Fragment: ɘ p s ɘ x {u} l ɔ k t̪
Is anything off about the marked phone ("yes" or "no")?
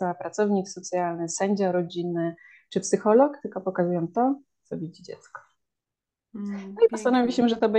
yes